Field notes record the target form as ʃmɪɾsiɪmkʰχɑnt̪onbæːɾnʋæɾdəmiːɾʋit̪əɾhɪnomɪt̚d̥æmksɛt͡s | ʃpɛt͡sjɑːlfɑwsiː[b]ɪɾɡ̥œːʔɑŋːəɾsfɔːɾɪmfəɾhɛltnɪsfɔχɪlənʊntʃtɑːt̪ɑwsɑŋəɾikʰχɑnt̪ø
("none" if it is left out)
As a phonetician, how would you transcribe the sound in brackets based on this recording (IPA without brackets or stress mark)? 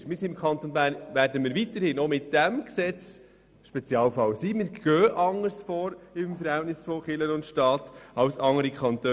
m